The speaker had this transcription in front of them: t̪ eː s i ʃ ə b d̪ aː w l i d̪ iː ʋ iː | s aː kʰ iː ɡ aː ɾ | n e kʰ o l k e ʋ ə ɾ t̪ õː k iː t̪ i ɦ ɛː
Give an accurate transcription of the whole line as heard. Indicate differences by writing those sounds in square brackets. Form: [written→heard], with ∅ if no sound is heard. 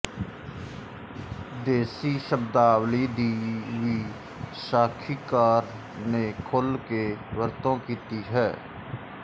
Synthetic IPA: [t̪→d̪] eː s i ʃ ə b d̪ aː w l i d̪ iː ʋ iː | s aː kʰ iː [ɡ→k] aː ɾ | n e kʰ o l k e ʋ ə ɾ t̪ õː k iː t̪ i ɦ ɛː